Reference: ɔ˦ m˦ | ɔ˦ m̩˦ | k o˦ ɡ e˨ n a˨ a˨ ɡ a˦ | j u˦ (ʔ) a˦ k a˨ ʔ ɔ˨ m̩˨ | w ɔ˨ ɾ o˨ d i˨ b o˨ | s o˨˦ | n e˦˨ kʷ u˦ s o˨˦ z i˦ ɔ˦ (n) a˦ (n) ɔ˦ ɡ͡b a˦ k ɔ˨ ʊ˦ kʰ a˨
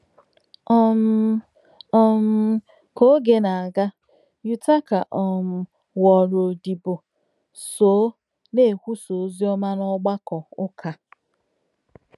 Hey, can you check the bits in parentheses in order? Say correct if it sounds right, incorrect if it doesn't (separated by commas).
incorrect, incorrect, correct